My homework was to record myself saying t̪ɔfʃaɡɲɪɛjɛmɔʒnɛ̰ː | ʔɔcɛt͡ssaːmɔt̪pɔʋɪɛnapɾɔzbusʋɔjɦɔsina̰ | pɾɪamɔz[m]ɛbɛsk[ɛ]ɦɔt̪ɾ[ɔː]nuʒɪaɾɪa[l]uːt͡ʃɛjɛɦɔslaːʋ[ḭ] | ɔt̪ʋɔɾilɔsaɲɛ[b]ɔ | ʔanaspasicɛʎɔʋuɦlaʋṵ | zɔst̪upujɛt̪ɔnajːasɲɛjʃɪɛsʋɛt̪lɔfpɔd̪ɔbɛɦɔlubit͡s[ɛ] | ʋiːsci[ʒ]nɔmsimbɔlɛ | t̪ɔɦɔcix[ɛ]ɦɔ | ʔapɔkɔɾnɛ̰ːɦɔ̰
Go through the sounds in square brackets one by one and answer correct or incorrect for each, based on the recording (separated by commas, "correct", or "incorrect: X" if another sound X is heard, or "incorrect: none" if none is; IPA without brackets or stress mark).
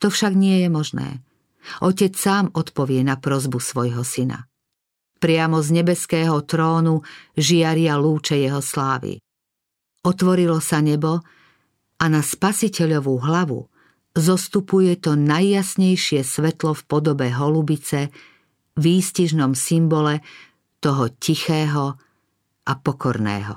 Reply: incorrect: ɲ, incorrect: ɛː, correct, correct, correct, correct, correct, correct, incorrect: ɛː